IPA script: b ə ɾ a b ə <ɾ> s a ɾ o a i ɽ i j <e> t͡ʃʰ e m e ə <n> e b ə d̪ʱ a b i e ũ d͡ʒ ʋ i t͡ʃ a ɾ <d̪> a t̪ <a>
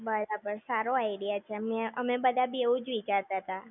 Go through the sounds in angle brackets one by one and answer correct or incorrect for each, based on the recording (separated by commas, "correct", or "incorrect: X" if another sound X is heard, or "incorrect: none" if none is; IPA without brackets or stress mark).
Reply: correct, incorrect: a, incorrect: m, incorrect: t̪, correct